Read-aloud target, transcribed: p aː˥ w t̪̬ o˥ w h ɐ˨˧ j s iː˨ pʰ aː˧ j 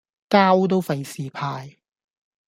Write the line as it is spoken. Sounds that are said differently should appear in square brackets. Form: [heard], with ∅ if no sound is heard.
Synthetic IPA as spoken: [k] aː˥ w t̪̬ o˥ w [f] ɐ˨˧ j s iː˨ pʰ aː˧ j